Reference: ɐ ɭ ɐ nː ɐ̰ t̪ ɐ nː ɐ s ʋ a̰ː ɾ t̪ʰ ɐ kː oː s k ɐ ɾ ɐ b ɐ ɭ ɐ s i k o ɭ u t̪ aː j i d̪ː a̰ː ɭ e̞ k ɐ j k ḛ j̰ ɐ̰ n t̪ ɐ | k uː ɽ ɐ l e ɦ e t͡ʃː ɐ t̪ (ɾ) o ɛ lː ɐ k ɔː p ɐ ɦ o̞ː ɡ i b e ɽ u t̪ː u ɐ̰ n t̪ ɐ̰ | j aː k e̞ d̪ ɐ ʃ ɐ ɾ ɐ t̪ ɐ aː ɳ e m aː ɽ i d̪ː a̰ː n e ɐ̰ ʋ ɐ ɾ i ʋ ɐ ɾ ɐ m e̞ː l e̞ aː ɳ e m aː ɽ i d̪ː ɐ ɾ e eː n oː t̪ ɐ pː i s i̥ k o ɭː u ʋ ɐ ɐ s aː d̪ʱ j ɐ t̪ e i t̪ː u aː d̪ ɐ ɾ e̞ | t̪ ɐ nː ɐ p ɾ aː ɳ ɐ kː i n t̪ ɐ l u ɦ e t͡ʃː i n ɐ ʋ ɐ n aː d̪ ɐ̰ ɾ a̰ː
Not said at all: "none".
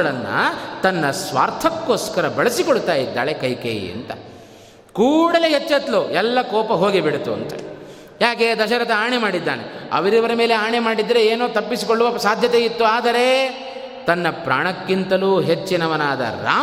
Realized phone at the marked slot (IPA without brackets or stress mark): l